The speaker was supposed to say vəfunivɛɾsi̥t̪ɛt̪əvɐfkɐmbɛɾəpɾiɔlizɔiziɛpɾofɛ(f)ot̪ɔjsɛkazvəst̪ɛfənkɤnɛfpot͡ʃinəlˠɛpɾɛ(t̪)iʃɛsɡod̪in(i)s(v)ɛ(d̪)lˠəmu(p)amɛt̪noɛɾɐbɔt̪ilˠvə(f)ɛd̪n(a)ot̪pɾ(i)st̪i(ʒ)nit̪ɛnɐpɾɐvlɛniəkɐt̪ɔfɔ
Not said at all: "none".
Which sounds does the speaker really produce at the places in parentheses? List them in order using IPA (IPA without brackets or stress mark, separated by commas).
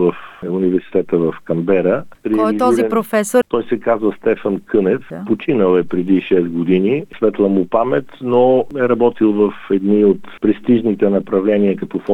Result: s, d̪, i, v, t̪, p, f, i, ɛ, ʒ